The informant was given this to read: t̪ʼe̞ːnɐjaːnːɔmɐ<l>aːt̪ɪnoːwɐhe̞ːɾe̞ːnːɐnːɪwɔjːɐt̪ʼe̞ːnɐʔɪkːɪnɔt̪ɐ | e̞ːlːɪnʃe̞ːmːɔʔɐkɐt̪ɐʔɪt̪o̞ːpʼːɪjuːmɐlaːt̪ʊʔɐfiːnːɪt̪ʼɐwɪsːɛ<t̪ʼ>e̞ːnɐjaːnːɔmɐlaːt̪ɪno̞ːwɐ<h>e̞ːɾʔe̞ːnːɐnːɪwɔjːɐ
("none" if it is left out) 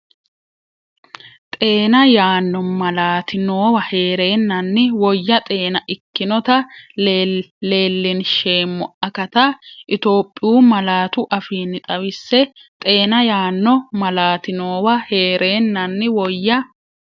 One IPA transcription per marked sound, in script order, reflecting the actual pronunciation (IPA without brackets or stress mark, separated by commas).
l, t̪ʼ, h